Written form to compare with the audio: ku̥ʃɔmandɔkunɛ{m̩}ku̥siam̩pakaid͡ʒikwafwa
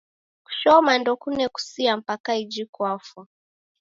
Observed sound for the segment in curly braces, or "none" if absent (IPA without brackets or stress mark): none